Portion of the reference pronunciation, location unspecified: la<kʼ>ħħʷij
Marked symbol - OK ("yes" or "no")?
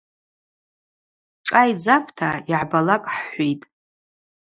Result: yes